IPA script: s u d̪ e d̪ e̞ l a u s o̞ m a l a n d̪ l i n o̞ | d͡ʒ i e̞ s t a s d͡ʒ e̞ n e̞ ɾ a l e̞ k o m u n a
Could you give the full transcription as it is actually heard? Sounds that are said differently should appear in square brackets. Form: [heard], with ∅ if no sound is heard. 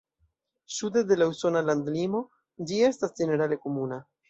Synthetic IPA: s u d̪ e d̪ e̞ l a u s o̞ [n] a l a n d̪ l i [m] o̞ | d͡ʒ i e̞ s t a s d͡ʒ e̞ n e̞ ɾ a l e̞ k o m u n a